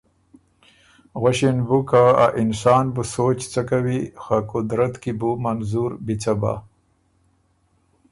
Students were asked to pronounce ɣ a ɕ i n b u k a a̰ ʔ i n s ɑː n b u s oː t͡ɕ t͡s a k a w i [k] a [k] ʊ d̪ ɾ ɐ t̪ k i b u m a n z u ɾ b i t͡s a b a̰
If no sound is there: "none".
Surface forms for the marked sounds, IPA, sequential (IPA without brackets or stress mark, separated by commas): x, k